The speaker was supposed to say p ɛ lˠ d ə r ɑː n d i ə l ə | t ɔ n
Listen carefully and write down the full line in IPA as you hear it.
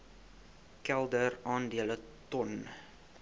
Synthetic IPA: k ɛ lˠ d ə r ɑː n d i ə l ə | t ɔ n